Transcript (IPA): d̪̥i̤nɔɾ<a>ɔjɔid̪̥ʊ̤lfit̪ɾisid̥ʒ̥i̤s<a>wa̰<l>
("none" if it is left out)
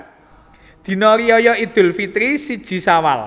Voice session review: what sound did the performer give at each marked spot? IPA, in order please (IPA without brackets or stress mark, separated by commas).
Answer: i, a, l